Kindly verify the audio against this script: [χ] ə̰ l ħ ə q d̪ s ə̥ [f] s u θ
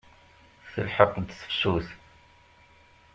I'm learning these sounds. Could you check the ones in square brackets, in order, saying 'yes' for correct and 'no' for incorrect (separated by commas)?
no, yes